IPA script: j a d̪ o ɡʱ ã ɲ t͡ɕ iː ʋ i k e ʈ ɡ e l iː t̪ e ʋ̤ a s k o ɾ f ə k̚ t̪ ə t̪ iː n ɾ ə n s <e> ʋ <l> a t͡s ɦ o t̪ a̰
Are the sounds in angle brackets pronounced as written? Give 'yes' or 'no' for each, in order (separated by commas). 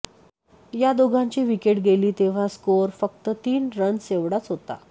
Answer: yes, no